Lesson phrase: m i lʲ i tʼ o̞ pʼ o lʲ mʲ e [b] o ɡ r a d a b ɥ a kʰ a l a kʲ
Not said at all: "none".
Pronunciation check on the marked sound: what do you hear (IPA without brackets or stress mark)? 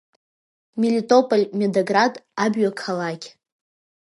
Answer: d